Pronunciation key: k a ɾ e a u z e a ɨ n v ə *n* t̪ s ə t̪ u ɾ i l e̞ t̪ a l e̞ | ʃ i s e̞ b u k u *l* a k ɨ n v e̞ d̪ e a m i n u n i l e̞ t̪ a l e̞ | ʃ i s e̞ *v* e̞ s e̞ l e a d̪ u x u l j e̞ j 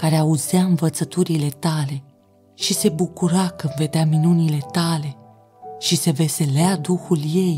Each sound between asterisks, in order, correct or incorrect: incorrect: none, incorrect: ɾ, correct

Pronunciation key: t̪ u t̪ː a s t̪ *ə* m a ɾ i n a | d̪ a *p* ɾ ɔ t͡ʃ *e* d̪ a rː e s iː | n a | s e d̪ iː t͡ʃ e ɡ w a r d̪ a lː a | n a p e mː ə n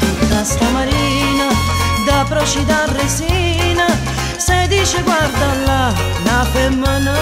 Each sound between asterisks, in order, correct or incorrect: incorrect: a, correct, incorrect: i

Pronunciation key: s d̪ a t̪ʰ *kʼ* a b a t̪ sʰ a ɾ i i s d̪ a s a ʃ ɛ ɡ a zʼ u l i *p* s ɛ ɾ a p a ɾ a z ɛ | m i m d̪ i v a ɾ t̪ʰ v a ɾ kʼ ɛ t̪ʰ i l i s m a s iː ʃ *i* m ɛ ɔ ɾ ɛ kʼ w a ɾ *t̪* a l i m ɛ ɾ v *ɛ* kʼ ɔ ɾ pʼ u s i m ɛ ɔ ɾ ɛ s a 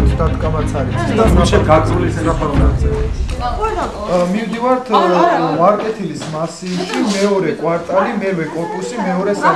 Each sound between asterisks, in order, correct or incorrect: correct, incorrect: none, correct, incorrect: t̪ʼ, correct

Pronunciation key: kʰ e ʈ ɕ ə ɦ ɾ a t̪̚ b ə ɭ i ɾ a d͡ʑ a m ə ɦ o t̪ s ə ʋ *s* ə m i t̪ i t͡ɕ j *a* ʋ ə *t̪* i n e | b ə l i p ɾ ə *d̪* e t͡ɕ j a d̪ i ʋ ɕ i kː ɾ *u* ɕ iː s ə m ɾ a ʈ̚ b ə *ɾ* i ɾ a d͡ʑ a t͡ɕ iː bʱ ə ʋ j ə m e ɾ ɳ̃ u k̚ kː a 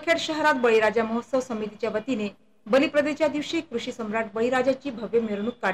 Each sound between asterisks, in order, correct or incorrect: correct, correct, correct, correct, correct, incorrect: ɭ

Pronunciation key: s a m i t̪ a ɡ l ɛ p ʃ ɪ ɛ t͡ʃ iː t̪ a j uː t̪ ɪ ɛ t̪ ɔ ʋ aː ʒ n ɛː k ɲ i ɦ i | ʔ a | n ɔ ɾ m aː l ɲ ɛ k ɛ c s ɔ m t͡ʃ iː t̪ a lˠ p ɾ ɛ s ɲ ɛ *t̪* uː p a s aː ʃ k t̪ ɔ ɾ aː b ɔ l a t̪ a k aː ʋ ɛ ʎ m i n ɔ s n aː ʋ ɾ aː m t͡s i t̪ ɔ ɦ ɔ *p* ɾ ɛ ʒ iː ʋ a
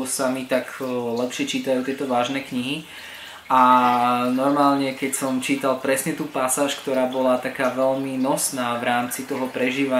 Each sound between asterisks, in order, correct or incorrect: correct, correct

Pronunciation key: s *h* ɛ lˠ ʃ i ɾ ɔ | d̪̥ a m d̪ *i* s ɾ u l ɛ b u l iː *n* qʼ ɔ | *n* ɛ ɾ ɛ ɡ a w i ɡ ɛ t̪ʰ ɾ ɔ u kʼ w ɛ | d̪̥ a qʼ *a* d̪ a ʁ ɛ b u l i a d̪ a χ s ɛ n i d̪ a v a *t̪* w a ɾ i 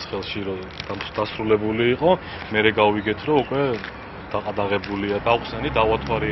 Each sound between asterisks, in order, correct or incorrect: incorrect: χ, incorrect: a, incorrect: none, incorrect: m, correct, incorrect: t̪ʰ

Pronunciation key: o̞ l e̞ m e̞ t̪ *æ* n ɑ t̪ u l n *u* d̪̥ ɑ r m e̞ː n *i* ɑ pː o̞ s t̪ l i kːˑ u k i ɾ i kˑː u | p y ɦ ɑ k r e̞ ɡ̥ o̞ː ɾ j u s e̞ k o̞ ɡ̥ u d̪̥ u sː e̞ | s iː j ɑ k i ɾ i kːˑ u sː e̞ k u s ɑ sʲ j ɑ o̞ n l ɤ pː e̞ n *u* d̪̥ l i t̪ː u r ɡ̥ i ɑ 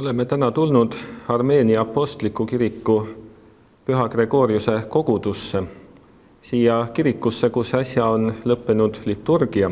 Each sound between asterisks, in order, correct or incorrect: correct, correct, correct, correct

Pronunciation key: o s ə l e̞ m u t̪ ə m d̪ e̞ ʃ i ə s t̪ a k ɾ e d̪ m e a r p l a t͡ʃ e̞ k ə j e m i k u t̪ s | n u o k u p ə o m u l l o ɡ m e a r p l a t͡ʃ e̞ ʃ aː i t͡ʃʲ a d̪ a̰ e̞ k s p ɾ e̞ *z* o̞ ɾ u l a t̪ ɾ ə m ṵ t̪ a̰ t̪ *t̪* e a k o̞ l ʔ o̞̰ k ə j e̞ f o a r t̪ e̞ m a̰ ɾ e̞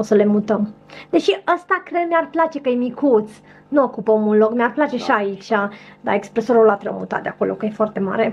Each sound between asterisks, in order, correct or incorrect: incorrect: s, incorrect: d̪

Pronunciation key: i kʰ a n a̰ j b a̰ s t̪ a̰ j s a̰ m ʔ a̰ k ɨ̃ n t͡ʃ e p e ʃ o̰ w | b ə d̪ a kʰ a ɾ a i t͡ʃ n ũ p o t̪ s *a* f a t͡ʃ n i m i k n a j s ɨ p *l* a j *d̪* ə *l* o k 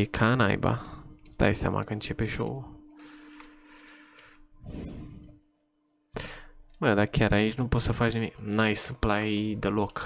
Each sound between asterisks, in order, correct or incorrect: incorrect: ə, correct, correct, correct

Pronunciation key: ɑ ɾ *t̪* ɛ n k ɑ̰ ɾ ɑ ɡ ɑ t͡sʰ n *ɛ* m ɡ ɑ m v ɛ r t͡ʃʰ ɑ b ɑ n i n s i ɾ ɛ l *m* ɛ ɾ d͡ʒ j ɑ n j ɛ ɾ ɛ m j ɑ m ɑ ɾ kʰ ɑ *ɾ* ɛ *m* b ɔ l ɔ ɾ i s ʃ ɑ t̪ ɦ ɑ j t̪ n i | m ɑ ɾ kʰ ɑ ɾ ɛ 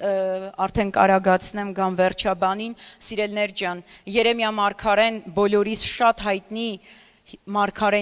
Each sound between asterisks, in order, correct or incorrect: incorrect: t̪ʰ, correct, incorrect: n, correct, incorrect: n

